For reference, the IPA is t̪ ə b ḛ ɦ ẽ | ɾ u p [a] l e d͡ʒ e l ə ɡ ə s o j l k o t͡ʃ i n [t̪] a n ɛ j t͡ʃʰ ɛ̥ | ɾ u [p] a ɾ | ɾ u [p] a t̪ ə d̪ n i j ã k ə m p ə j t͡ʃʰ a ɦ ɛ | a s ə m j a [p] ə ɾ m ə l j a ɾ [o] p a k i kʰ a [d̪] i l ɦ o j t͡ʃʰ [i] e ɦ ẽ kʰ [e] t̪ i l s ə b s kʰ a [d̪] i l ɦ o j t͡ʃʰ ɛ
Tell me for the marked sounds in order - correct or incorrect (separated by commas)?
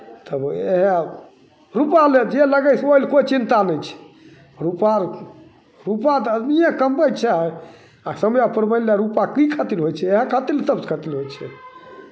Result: correct, correct, correct, correct, correct, incorrect, incorrect, incorrect, incorrect, incorrect